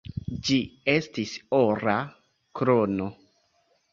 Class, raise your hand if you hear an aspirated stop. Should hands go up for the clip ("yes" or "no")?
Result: no